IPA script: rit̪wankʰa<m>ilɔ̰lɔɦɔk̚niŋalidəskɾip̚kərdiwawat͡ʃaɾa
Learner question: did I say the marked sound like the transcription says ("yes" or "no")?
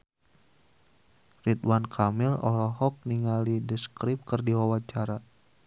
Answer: yes